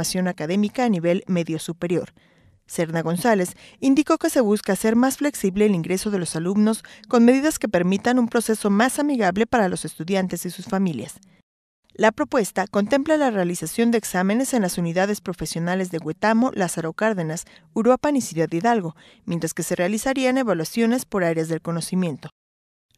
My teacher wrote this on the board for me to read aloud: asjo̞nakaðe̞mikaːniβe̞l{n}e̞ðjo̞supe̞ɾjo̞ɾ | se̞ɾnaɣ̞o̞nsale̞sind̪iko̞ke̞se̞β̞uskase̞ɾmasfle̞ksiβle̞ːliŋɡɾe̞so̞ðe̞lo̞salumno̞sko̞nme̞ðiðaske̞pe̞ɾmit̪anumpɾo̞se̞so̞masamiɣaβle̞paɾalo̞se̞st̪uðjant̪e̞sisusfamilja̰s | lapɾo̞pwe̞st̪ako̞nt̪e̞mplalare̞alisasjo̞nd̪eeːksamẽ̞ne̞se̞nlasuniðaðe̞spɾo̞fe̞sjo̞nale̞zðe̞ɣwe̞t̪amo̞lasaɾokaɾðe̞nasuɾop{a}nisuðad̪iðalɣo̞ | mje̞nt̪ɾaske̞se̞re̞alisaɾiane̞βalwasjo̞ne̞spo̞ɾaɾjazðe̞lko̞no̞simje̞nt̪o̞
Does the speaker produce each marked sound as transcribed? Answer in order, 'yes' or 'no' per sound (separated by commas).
no, yes